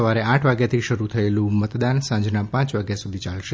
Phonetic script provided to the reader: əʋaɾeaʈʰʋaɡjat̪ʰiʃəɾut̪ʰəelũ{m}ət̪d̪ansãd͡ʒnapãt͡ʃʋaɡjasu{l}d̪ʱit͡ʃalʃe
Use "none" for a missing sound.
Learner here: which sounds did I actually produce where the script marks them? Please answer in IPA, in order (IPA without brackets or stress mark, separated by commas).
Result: m, none